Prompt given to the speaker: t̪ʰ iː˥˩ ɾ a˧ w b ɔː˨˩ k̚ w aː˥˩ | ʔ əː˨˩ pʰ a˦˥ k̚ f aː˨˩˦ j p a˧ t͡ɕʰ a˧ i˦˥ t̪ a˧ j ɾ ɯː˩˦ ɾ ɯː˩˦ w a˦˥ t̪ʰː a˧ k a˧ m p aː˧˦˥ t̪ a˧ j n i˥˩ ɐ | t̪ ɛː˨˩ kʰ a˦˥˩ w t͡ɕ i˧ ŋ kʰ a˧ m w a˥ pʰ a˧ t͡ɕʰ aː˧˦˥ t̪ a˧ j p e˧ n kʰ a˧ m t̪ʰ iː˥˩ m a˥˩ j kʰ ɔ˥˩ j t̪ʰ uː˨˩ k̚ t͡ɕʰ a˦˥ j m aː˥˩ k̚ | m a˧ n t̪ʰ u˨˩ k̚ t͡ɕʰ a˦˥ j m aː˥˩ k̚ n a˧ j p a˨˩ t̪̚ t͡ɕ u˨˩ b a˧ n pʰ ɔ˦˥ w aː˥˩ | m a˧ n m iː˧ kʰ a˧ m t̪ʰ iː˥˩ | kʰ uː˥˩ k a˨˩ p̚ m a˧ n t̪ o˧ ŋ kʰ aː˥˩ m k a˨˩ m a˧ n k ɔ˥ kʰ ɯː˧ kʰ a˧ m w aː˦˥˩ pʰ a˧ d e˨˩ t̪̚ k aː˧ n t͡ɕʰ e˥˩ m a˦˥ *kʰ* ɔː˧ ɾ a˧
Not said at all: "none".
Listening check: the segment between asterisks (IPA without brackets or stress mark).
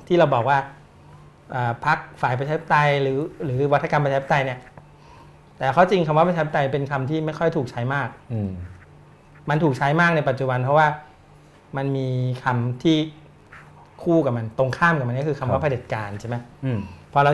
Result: pʰ